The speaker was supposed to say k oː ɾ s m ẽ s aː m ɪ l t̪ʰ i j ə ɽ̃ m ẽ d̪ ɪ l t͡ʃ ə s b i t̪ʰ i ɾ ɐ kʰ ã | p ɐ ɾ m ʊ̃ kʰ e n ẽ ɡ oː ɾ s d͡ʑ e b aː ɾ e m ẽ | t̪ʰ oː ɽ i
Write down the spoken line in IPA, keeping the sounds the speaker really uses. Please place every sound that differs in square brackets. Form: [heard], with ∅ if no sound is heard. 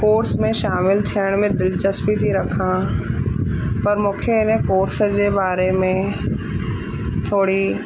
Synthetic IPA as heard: k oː ɾ s m ẽ [ʃ] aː m ɪ l t̪ʰ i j ə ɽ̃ m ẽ d̪ ɪ l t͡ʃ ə s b i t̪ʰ i ɾ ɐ kʰ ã | p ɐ ɾ m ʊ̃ kʰ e n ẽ [k] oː ɾ s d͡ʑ e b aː ɾ e m ẽ | t̪ʰ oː ɽ i